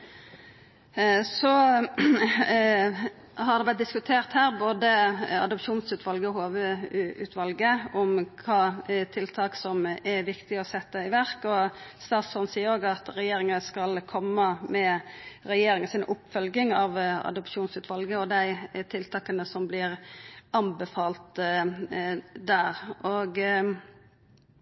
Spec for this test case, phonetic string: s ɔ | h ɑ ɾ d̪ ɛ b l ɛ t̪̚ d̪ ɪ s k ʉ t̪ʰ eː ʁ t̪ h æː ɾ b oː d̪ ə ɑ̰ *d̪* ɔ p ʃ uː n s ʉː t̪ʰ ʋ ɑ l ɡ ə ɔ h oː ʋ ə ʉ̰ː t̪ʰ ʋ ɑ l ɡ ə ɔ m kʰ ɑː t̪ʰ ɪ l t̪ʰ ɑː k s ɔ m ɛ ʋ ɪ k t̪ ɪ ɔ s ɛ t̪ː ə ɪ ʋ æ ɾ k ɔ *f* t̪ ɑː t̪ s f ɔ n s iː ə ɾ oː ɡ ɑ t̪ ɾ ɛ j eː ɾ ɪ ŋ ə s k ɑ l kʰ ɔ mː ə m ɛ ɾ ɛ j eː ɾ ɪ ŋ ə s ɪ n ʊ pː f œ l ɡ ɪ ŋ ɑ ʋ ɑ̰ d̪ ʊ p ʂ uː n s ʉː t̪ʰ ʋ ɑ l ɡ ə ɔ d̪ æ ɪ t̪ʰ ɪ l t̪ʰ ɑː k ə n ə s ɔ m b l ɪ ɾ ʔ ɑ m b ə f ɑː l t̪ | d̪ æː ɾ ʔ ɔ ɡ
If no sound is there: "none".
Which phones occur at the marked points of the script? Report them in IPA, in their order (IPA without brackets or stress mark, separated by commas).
d̪, s